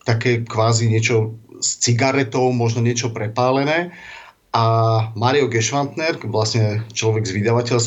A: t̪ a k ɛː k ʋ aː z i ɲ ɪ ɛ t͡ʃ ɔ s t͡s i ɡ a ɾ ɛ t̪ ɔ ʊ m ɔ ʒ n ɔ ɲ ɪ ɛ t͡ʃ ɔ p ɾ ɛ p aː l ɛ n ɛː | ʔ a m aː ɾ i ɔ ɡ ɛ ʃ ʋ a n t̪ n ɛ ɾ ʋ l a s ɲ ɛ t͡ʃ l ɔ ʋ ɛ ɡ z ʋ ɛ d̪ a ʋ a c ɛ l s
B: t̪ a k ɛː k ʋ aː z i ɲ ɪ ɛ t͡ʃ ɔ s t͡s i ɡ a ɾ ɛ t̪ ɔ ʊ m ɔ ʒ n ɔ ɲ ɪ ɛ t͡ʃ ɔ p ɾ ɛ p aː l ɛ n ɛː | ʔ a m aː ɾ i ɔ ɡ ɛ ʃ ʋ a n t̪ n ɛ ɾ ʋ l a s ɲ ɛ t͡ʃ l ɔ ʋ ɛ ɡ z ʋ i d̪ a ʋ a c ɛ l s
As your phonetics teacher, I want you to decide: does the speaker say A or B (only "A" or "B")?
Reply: B